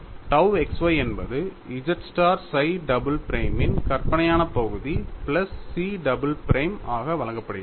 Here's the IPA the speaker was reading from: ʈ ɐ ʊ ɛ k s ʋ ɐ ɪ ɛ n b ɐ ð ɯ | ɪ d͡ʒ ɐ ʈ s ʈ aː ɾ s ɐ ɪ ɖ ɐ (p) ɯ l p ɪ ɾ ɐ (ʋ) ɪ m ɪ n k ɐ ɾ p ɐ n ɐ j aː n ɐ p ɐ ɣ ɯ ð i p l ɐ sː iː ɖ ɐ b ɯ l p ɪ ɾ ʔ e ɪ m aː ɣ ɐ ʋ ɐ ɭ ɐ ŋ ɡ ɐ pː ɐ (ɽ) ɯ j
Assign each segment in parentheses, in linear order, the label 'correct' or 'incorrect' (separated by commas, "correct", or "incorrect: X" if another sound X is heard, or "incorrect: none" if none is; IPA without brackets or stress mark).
incorrect: b, incorrect: none, correct